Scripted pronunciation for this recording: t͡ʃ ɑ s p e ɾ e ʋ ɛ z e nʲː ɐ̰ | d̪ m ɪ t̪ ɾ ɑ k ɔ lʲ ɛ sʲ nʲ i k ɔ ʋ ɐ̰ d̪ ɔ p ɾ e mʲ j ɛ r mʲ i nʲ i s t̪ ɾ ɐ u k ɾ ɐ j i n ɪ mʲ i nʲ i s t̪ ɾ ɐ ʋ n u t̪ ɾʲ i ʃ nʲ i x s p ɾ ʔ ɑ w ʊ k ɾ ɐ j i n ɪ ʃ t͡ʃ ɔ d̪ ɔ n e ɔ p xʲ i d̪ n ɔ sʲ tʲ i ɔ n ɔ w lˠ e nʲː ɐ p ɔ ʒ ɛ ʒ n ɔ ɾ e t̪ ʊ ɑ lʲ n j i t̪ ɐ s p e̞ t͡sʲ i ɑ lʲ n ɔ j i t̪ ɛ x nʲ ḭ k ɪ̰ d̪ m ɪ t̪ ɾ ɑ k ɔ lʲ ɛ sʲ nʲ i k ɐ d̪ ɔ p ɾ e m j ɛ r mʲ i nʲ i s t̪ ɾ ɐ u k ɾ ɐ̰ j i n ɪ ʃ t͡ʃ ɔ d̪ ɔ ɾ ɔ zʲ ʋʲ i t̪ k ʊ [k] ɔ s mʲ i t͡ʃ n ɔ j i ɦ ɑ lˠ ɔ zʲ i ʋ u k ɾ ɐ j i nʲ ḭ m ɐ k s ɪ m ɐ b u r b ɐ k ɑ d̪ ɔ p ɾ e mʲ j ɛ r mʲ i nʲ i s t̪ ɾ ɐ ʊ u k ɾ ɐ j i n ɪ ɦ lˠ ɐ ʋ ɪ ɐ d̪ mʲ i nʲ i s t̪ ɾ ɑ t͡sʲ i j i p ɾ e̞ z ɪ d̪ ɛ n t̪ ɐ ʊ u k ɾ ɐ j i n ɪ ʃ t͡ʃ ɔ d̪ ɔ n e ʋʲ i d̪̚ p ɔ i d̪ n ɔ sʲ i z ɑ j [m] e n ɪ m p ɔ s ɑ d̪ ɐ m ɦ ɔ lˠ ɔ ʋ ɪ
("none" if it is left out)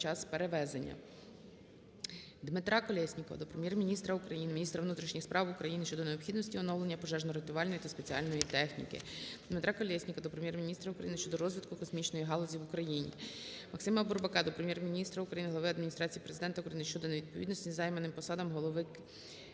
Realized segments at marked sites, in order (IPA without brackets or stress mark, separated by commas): k, m